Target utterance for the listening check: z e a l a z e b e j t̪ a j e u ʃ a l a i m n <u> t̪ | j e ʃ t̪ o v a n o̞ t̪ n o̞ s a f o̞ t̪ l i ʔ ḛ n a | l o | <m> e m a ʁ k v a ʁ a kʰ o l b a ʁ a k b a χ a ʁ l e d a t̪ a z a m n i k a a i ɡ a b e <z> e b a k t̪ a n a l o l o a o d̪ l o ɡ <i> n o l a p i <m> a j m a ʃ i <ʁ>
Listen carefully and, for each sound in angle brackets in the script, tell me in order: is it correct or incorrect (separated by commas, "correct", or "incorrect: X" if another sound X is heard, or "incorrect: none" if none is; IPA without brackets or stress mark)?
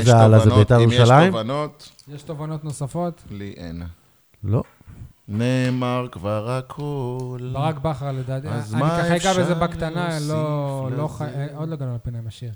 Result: incorrect: o, incorrect: n, correct, incorrect: a, incorrect: n, correct